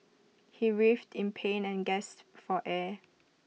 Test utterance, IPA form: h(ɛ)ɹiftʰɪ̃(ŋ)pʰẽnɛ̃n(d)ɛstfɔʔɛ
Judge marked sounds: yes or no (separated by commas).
no, no, no